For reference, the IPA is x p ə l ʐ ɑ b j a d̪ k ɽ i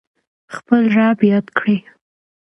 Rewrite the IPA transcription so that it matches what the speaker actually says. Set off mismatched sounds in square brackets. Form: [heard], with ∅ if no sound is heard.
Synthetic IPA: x p ə l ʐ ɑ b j [ɑ] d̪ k ɽ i